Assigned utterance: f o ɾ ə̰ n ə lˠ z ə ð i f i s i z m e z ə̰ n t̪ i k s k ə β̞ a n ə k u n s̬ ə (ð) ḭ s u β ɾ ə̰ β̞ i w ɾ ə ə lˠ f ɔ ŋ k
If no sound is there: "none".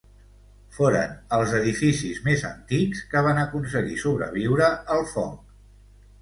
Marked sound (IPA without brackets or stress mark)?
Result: ɣ